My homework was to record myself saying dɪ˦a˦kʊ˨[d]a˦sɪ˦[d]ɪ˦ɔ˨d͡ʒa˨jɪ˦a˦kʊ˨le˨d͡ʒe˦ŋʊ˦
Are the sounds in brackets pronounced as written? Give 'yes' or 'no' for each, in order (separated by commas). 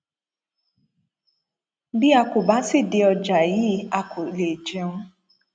no, yes